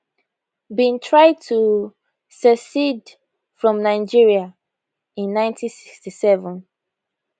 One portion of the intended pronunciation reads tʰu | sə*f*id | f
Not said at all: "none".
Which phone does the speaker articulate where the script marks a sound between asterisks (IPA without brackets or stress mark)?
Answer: s